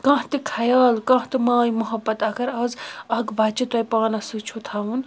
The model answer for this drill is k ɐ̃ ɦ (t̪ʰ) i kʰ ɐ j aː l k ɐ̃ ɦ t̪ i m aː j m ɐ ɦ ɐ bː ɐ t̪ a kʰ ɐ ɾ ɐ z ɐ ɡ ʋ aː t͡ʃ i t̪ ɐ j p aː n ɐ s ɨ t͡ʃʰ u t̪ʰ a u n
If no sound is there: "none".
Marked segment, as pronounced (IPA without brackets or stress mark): t̪